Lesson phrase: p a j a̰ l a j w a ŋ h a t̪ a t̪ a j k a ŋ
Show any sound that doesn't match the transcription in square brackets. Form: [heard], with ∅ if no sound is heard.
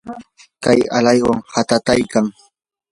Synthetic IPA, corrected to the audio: [k] a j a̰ l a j w a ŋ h a t̪ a t̪ a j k a ŋ